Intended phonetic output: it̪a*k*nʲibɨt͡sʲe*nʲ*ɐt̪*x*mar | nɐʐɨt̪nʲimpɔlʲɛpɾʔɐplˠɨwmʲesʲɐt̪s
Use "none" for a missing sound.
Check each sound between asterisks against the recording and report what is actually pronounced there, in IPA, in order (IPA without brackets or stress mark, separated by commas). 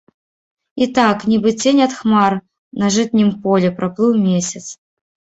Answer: k, nʲ, x